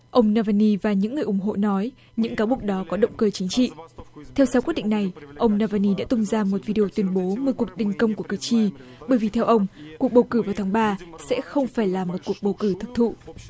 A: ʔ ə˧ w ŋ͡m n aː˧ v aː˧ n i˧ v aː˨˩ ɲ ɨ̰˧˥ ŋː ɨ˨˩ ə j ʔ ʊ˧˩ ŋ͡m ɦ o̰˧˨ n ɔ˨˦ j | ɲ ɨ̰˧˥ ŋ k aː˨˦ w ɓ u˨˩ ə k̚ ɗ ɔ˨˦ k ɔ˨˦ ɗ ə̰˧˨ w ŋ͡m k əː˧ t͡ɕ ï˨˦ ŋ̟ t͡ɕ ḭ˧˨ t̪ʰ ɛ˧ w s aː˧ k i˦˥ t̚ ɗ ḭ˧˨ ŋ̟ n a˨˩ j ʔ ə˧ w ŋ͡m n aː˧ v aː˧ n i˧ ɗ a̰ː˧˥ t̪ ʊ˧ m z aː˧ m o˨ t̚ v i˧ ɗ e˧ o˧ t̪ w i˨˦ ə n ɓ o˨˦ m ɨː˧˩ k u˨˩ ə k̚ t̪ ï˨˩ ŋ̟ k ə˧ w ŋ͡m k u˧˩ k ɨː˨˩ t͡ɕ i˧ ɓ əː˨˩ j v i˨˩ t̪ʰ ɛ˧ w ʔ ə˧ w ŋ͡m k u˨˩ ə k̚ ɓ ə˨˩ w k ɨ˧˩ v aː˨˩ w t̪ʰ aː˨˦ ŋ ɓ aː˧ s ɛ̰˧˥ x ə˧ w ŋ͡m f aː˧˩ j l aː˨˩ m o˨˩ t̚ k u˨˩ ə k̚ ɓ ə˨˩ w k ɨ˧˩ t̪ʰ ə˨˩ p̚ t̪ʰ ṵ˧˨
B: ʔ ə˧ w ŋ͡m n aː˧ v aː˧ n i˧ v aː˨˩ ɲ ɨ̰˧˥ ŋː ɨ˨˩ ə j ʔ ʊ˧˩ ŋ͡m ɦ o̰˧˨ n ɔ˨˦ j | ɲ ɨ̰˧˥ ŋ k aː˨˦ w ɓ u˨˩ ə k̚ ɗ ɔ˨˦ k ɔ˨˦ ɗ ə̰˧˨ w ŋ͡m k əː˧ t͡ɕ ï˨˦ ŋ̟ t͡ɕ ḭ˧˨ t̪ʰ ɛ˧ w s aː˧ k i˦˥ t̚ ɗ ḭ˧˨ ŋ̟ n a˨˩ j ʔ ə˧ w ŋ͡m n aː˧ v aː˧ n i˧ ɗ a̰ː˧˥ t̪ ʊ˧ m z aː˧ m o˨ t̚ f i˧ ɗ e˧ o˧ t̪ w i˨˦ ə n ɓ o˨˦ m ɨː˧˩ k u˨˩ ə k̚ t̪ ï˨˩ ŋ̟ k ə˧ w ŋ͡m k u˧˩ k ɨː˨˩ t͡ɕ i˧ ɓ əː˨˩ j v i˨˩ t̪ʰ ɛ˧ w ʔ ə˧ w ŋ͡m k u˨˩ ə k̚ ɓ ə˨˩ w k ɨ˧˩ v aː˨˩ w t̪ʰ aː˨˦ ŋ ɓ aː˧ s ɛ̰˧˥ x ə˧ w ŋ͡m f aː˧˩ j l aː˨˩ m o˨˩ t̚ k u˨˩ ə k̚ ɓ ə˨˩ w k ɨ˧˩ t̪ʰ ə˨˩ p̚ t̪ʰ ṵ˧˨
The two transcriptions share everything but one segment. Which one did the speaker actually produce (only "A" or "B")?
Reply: A